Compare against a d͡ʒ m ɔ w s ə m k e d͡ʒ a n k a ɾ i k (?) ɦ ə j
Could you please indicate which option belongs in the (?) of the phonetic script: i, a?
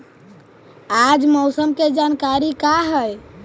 a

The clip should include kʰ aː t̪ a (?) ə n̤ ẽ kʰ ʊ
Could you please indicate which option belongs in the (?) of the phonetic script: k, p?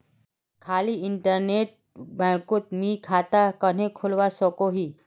k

